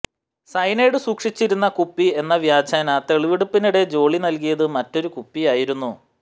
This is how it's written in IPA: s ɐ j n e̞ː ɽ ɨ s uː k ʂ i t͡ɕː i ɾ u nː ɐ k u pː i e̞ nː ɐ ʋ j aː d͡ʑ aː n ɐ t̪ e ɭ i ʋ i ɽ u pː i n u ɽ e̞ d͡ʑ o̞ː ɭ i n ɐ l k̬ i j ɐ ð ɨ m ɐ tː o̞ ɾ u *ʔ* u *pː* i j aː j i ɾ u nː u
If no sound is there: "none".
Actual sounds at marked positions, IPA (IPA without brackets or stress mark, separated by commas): k, pː